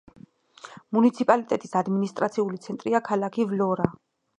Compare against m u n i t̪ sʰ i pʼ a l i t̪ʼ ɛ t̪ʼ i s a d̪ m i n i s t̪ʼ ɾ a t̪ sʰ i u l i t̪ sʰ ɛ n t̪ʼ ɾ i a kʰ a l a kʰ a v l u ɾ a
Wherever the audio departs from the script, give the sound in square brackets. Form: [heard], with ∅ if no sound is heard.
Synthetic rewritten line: m u n i t̪ sʰ i pʼ a l i t̪ʼ ɛ t̪ʼ i s a d̪ m i n i s t̪ʼ ɾ a t̪ sʰ i u l i t̪ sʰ ɛ n t̪ʼ ɾ i a kʰ a l a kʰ [i] v l [ɔ] ɾ a